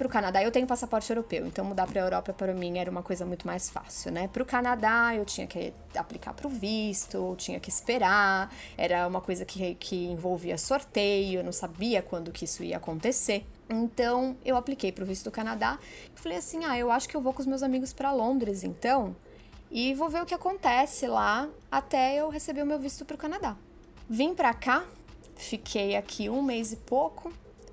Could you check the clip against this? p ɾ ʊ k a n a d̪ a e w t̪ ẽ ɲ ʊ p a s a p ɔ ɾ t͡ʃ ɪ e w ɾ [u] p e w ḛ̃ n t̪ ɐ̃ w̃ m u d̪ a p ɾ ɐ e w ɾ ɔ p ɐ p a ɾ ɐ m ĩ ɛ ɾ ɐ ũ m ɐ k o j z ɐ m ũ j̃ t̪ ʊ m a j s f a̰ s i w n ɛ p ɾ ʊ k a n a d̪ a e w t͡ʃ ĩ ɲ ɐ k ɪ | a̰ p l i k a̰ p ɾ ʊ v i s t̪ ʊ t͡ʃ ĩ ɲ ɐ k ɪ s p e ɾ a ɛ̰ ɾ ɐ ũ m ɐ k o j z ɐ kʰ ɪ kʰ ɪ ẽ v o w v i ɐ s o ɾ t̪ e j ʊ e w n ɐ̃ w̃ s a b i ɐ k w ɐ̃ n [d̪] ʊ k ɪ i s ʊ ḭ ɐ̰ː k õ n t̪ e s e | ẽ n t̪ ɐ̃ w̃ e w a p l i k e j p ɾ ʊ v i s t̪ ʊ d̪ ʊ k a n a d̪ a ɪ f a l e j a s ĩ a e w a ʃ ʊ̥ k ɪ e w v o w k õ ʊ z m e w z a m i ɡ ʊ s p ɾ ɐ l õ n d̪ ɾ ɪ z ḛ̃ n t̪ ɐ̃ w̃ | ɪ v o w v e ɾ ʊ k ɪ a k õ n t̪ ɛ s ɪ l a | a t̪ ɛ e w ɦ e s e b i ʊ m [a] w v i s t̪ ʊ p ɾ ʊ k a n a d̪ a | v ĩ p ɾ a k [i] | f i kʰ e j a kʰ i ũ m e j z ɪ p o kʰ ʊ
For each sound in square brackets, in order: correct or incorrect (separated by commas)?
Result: incorrect, correct, incorrect, incorrect